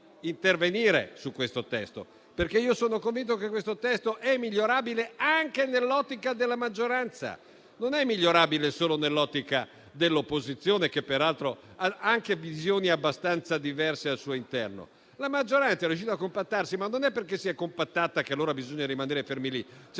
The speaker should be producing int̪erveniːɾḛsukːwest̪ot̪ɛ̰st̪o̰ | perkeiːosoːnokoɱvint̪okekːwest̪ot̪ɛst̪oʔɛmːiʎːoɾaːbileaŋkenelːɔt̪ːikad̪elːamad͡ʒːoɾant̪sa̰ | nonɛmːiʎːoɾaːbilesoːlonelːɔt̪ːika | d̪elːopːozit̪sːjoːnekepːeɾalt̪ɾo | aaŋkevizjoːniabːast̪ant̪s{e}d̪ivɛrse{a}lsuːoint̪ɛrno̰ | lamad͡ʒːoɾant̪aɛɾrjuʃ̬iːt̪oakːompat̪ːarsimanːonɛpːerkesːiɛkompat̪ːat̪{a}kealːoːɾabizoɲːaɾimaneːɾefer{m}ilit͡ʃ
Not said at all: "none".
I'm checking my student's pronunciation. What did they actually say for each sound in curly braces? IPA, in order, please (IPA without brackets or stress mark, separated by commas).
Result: a, a, a, m